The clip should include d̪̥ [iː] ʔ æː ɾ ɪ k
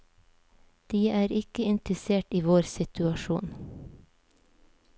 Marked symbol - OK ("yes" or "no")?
yes